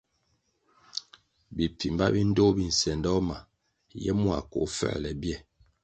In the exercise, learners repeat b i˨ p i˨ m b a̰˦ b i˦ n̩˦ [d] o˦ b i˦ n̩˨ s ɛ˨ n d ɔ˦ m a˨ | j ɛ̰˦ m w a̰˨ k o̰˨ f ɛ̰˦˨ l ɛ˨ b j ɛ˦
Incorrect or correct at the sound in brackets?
correct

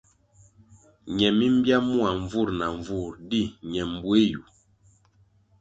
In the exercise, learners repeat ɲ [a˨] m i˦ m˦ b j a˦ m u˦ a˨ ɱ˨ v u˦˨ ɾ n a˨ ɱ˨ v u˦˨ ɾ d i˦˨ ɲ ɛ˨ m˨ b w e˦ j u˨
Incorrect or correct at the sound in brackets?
incorrect: ɛ˨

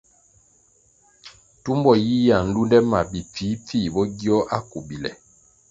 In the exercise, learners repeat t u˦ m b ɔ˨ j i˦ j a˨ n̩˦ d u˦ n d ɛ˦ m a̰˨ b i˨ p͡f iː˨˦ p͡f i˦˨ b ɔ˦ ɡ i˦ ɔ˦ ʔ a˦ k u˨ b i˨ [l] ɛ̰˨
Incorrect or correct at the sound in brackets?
correct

